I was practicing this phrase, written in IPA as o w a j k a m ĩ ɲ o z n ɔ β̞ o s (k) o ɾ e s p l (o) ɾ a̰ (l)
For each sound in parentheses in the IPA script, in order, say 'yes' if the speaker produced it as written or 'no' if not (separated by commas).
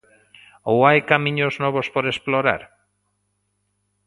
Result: no, yes, no